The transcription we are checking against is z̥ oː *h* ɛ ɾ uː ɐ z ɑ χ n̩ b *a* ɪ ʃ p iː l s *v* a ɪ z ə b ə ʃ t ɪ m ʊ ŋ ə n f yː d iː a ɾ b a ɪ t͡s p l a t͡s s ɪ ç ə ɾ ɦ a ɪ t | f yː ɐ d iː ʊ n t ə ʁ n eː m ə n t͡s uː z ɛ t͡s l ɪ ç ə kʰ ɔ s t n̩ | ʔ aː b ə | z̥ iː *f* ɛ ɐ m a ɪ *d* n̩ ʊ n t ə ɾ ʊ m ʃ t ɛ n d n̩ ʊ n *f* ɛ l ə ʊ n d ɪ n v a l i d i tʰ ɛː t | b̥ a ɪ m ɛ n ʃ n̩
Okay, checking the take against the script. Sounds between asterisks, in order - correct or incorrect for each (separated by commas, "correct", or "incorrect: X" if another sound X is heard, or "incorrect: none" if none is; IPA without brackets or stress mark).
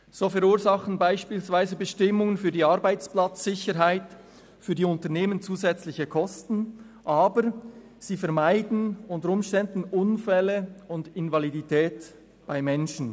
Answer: incorrect: f, correct, correct, correct, correct, correct